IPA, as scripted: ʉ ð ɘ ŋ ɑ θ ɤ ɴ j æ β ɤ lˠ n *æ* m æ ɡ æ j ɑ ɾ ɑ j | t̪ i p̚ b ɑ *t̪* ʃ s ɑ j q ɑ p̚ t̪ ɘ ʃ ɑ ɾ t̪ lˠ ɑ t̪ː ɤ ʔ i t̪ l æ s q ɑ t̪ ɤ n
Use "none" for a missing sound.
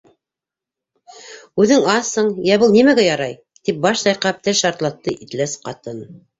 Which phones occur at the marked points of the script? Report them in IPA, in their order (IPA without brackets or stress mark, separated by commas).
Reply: i, none